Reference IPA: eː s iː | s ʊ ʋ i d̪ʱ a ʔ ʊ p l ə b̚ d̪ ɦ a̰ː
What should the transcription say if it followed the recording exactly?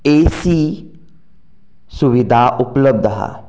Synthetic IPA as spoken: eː s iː | s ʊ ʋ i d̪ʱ a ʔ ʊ p l ə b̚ d̪ ɦ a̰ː